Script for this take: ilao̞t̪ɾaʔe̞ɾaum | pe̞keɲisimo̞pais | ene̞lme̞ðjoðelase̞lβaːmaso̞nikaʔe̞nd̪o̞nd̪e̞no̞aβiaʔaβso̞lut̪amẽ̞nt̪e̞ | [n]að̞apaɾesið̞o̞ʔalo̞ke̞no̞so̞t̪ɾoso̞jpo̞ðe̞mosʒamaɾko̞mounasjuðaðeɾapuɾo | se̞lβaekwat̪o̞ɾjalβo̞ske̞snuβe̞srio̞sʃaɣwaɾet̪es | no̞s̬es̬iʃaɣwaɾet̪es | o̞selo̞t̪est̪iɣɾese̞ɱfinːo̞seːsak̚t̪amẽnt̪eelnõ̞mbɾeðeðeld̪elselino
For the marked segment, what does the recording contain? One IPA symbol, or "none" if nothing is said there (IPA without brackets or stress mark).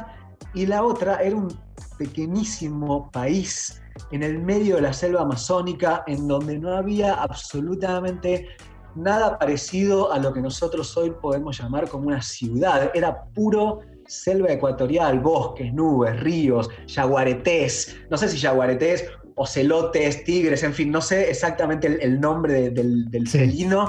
n